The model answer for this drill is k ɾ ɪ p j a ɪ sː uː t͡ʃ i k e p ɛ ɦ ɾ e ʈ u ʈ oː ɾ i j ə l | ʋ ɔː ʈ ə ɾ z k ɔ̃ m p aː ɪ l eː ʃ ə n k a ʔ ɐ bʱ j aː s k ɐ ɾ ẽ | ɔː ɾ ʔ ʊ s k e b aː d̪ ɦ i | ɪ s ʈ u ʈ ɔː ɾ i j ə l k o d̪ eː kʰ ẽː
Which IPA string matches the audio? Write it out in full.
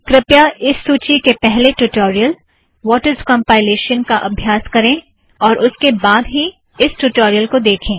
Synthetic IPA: k ɾ ɪ p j a ɪ sː uː t͡ʃ i k e p ɛ ɦ l e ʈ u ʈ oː ɾ i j ə l | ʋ ɔː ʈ ə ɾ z k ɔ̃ m p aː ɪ l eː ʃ ə n k a ʔ ɐ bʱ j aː s k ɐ ɾ ẽ | ɔː ɾ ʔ ʊ s k e b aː d̪ ɦ i | ɪ s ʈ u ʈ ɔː ɾ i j ə l k o d̪ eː kʰ ẽː